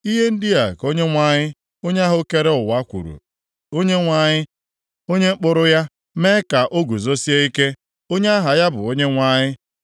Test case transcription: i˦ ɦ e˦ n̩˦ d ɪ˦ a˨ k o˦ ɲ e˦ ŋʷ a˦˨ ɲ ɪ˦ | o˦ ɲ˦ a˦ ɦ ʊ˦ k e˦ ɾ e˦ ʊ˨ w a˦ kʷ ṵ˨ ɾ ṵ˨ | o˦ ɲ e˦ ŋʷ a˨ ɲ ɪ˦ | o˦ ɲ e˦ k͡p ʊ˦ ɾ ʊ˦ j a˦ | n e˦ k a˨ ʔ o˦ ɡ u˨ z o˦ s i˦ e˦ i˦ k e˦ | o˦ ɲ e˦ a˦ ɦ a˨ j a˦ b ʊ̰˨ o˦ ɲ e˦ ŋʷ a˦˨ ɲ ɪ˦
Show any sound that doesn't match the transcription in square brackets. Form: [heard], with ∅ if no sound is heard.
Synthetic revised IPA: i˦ ɦ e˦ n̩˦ d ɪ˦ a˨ k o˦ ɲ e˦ ŋʷ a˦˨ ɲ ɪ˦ | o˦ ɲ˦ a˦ ɦ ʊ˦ k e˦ ɾ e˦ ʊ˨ w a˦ kʷ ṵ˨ ɾ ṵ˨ | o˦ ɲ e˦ ŋʷ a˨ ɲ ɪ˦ | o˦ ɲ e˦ k͡p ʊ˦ ɾ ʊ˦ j a˦ | [m] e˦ k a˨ ʔ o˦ ɡ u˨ z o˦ s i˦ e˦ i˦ k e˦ | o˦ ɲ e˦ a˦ ɦ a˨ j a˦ b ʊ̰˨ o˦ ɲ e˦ ŋʷ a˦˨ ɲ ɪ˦

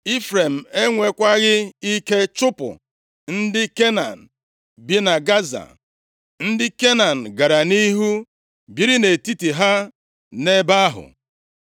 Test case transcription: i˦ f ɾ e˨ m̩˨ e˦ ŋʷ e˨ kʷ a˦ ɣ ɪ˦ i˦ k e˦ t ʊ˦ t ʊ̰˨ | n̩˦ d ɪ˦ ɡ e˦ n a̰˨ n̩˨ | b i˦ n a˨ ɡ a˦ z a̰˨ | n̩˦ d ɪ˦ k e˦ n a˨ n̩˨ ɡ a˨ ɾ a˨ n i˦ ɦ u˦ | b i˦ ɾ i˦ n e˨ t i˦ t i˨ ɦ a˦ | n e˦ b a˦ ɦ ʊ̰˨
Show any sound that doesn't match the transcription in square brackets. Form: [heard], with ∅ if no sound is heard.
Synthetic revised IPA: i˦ f ɾ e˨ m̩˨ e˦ ŋʷ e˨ kʷ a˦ ɣ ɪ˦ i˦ k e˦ [t͡ʃ] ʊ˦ [p] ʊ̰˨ | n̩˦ d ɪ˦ [k] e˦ n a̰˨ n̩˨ | b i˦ n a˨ ɡ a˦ z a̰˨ | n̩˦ d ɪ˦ k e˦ n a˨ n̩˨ ɡ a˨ ɾ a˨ n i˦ ɦ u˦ | b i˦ ɾ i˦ n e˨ t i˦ t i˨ ɦ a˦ | n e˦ b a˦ ɦ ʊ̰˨

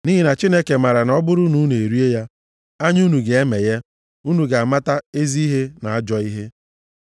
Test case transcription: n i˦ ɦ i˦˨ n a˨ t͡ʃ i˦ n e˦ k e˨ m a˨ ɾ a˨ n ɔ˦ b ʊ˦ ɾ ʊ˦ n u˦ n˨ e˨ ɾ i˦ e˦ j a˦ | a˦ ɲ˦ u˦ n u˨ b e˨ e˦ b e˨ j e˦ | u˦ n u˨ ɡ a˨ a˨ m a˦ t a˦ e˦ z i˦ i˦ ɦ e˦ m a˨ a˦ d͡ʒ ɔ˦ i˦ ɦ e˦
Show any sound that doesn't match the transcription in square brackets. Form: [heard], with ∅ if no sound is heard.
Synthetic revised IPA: n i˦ ɦ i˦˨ n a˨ t͡ʃ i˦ n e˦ k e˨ m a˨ ɾ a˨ n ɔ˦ b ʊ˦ ɾ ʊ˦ n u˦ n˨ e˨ ɾ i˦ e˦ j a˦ | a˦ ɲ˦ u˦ n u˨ [ɡ] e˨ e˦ [m] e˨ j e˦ | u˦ n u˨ ɡ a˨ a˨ m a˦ t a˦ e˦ z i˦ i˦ ɦ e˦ [n] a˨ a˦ d͡ʒ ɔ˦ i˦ ɦ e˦

